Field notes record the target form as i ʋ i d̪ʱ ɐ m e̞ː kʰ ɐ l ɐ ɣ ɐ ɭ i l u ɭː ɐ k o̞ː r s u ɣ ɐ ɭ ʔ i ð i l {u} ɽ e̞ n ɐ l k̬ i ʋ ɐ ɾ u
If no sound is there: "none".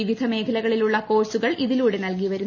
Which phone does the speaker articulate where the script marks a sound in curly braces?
uː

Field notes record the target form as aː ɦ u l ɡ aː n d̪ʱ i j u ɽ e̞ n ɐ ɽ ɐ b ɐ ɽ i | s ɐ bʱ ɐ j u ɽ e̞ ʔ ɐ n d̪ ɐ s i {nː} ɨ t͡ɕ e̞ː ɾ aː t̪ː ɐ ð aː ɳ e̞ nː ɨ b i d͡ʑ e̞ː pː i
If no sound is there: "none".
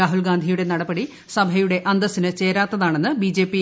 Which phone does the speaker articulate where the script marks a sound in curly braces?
n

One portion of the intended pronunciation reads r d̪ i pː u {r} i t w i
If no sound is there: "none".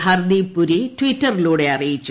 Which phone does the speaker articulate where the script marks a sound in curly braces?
ɾ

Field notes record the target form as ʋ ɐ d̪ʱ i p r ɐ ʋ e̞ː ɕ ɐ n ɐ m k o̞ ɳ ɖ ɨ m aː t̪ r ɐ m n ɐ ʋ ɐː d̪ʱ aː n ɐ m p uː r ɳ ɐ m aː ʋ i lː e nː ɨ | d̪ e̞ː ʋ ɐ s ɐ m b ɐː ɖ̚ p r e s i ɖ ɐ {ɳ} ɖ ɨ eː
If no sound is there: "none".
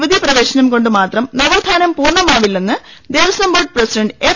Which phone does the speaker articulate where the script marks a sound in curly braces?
ɳ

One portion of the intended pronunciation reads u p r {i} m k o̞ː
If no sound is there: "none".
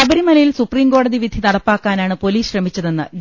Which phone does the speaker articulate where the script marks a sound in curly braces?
iː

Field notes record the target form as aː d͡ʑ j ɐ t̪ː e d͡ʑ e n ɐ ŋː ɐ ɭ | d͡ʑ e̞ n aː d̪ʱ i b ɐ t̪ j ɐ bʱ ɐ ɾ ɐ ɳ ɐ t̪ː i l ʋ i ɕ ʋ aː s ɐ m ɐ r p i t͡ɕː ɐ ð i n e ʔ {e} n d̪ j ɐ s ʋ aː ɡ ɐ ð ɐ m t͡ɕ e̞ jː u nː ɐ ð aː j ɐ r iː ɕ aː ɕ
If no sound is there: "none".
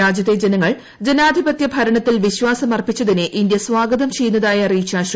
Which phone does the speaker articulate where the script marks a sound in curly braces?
i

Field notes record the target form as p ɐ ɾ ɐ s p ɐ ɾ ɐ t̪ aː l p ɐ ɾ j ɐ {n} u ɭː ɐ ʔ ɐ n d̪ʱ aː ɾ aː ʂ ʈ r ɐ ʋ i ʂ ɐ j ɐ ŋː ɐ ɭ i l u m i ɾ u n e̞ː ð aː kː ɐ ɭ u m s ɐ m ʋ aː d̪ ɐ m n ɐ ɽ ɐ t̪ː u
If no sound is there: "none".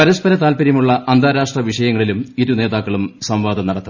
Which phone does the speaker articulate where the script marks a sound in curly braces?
m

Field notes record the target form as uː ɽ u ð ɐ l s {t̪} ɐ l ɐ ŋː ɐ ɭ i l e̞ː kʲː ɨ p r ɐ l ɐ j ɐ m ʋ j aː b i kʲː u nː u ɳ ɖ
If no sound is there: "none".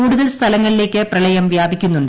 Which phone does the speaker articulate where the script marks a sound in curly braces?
t̪ʰ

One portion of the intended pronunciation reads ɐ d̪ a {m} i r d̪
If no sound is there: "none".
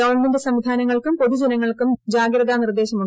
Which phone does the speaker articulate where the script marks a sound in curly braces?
n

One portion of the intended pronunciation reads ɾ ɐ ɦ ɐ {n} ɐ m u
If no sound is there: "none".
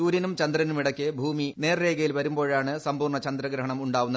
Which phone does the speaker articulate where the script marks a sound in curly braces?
ɳ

